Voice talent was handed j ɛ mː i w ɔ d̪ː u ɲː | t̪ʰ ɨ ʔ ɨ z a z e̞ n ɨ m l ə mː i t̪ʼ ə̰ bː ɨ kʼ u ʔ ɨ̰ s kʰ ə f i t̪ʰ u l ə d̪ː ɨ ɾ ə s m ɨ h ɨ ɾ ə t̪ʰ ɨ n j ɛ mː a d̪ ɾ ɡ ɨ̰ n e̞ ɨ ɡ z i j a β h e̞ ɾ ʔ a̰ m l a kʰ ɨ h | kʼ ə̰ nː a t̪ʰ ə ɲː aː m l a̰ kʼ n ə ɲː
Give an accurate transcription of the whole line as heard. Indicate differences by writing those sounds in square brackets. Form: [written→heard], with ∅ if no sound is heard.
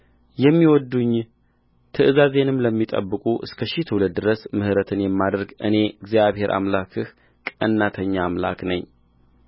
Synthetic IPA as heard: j ɛ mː i w ɔ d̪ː u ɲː | t̪ʰ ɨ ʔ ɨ z a z e̞ n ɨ m l ə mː i t̪ʼ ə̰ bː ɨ kʼ u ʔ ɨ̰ s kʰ ə [f→ʃ] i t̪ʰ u l ə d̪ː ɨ ɾ ə s m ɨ h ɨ ɾ ə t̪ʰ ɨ n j ɛ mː a d̪ ɾ ɡ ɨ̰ n e̞ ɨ ɡ z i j a β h e̞ ɾ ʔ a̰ m l a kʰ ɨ h | kʼ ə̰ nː a t̪ʰ ə ɲː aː m l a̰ [kʼ→k] n ə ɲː